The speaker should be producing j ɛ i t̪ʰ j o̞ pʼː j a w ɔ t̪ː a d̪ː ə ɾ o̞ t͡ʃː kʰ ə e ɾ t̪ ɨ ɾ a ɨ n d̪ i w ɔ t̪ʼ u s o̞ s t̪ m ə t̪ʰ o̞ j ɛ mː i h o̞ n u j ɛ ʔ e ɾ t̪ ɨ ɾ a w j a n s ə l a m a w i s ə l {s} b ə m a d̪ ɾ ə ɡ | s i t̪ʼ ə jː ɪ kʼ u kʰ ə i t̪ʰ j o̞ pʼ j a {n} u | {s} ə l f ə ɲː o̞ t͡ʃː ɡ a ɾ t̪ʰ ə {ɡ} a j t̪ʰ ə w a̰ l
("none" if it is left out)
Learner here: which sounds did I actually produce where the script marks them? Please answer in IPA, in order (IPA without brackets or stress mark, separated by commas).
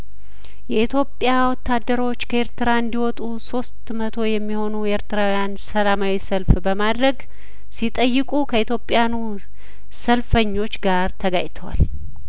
f, n, s, ɡ